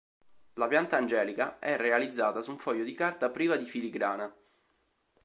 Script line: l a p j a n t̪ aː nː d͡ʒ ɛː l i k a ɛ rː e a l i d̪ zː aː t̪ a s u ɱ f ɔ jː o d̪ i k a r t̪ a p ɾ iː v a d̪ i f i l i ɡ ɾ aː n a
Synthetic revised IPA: l a p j a n t̪ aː n d͡ʒ ɛː l i k a ɛ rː e a l i d̪ zː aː t̪ a s u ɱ f ɔ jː o d̪ i k a r t̪ a p ɾ iː v a d̪ i f i l i ɡ ɾ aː n a